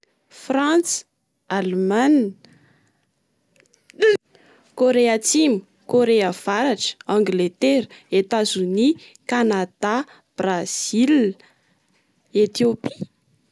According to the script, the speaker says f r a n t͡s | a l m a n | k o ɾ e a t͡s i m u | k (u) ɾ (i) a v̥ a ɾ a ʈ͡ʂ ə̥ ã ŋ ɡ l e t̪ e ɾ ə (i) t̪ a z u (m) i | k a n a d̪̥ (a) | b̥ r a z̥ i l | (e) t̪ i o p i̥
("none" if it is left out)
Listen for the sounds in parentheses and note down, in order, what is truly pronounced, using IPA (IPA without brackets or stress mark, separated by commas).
o, e, e, n, a, e